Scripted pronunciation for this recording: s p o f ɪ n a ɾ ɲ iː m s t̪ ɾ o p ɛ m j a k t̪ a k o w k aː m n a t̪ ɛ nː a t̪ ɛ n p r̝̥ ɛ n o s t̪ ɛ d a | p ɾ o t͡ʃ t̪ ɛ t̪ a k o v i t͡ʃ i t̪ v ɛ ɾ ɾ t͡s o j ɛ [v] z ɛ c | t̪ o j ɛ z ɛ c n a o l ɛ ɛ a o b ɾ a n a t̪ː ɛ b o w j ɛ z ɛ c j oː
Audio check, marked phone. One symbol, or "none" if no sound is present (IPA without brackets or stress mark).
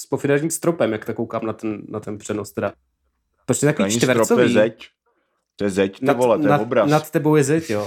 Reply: none